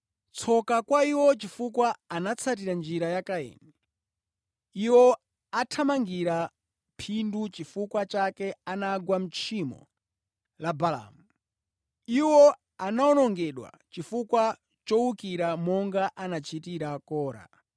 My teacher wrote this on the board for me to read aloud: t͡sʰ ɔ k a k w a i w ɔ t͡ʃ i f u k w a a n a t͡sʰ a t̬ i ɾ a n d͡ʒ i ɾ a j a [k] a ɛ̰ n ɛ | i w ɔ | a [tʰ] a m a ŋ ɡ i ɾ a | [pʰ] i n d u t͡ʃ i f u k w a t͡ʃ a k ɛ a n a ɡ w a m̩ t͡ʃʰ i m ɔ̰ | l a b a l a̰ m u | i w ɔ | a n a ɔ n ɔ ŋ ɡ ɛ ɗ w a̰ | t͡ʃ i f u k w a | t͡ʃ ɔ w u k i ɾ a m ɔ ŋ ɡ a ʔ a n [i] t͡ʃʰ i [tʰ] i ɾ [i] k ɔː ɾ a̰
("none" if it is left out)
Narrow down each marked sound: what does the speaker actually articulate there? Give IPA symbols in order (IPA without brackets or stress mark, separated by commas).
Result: k, tʰ, pʰ, a, t, a